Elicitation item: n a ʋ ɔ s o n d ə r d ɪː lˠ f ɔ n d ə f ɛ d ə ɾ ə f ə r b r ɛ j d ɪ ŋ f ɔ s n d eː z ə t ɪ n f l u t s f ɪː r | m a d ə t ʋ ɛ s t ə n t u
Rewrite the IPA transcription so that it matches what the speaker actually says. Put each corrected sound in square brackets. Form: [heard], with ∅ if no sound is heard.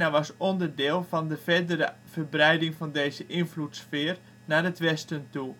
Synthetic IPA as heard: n a ʋ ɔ s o n d ə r d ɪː lˠ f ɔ n d ə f ɛ d ə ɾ ə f ə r b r ɛ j d ɪ ŋ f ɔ [∅] n d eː z ə [ʔ] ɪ n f l u t s f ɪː r | [n] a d ə t ʋ ɛ s t ə n t u